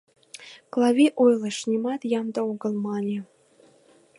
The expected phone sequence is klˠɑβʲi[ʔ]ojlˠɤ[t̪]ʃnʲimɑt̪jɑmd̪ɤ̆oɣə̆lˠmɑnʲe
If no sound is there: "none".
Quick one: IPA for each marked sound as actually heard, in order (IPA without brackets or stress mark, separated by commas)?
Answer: ʔ, none